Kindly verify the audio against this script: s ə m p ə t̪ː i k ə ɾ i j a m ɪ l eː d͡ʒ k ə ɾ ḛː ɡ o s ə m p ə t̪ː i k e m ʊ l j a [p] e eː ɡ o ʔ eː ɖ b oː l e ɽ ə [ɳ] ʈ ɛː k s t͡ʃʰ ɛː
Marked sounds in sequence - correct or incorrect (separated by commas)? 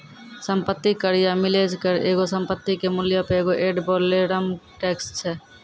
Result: correct, incorrect